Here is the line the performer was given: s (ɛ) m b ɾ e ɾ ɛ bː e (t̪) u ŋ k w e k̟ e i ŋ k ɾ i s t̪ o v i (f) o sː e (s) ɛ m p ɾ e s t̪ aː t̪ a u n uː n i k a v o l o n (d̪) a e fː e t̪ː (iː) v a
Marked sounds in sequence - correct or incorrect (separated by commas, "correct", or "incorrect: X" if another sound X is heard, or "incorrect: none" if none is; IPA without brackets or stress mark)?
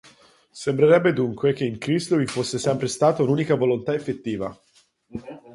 incorrect: e, incorrect: d̪, correct, correct, incorrect: t̪, correct